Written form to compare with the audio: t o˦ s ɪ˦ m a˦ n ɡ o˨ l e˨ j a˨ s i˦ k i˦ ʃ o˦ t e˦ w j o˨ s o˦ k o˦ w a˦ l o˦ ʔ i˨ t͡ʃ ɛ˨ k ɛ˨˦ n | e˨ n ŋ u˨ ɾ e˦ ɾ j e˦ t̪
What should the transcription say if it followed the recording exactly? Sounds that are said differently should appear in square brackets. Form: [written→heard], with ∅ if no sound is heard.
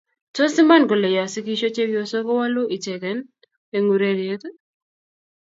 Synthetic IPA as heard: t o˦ s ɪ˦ m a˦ n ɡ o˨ l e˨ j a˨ s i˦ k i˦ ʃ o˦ [t→t͡ʃ] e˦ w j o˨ s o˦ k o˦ w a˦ l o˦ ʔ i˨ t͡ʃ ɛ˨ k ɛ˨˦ n | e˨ [n→∅] ŋ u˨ ɾ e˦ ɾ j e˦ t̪